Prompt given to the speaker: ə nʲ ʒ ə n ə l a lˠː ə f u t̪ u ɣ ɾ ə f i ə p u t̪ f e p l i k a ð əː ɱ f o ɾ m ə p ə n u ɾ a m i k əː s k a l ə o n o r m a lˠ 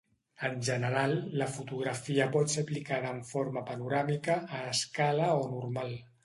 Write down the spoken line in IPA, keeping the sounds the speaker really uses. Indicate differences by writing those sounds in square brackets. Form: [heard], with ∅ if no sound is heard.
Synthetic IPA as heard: ə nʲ ʒ ə n ə [ɾ] a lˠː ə f u t̪ u ɣ ɾ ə f i ə p [ɔ] t̪ [s] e p l i k a ð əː ɱ f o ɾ m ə p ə n u ɾ a m i k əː s k a l ə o n [u] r m a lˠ